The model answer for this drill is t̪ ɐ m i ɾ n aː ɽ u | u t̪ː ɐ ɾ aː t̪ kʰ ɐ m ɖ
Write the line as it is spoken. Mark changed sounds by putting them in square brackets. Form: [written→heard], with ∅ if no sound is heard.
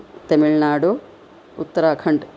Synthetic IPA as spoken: t̪ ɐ m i [ɾ→ɭ] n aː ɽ u | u t̪ː ɐ ɾ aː [t̪→∅] kʰ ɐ [m→ɳ] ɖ